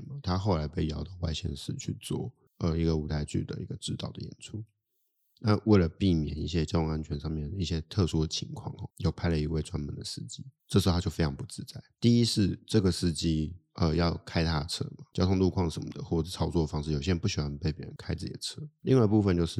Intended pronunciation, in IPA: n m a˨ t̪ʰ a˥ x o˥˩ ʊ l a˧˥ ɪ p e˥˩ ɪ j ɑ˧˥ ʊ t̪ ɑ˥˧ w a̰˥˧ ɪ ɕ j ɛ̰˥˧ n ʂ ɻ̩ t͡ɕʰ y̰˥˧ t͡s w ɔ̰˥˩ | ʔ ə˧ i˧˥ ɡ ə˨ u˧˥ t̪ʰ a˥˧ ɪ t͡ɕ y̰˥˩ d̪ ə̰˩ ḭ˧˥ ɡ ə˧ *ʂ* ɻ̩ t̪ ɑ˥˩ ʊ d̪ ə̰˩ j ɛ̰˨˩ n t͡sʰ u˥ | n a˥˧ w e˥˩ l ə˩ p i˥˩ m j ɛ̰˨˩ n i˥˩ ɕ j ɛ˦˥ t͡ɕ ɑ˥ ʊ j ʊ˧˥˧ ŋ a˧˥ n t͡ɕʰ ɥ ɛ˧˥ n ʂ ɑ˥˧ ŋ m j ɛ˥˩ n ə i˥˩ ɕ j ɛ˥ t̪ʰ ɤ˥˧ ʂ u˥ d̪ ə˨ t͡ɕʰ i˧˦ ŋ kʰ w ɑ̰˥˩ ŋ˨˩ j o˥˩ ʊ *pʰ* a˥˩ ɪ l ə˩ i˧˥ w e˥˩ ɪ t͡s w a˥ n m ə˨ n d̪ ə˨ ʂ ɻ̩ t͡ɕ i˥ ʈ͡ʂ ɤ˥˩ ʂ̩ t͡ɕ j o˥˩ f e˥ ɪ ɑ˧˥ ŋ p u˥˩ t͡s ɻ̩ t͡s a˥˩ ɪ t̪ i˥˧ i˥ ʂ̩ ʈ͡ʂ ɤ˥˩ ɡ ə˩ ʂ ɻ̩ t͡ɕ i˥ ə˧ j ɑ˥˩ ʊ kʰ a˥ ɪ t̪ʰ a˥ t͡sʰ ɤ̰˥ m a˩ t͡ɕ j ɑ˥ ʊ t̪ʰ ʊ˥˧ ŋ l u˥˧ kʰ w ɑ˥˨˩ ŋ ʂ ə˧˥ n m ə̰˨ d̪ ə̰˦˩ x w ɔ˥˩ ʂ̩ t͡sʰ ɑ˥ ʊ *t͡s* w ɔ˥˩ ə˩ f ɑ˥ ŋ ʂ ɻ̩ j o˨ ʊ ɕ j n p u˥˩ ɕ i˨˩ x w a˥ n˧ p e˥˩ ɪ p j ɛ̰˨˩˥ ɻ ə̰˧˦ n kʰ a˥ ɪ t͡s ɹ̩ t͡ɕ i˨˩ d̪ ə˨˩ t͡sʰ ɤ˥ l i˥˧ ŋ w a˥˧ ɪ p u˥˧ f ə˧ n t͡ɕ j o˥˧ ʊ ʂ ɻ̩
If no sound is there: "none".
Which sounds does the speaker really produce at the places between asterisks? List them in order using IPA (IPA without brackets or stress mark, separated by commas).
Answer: ʈ͡ʂ, pʰ, t͡s